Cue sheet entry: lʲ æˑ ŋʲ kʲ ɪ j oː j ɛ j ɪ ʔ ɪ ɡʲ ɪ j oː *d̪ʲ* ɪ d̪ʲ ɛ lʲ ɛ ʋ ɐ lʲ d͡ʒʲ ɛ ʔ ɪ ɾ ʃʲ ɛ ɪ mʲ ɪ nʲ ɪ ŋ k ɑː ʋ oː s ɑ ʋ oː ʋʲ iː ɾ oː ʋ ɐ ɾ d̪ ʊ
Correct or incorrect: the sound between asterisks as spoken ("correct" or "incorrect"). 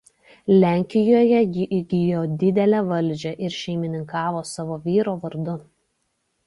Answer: correct